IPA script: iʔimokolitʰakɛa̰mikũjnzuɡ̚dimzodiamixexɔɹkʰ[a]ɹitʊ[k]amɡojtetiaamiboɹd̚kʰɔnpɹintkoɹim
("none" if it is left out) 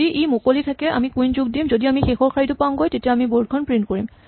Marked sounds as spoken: a, p

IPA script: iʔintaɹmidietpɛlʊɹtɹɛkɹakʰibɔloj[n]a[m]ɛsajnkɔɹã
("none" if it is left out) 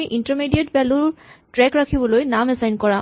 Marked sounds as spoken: n, m

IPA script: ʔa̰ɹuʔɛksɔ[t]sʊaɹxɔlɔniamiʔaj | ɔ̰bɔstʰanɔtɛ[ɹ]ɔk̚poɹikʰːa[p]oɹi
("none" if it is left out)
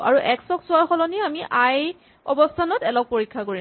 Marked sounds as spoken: k, l, k

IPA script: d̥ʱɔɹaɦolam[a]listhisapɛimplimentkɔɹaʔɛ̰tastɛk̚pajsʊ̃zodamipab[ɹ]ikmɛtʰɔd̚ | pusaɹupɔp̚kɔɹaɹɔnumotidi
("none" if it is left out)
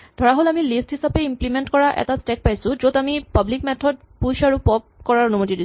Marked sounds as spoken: i, l

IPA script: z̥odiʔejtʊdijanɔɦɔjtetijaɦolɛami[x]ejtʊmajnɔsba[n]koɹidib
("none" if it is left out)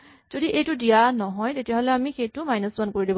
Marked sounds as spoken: x, n

